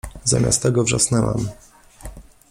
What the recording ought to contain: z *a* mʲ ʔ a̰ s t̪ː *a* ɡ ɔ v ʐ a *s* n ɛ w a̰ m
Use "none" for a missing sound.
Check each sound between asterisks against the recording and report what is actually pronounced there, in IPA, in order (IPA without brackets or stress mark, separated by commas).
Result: a, ɛ, s